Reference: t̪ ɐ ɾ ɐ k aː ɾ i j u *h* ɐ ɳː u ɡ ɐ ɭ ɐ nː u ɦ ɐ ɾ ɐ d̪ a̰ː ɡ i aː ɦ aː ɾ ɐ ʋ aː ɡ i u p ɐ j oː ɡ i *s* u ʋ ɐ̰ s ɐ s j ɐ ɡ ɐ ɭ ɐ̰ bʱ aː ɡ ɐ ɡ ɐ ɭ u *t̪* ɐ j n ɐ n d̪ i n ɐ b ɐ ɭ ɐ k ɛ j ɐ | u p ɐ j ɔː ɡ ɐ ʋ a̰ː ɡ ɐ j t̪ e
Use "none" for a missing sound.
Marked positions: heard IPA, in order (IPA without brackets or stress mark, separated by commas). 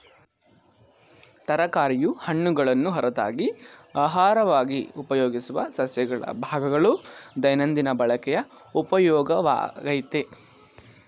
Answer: h, s, d̪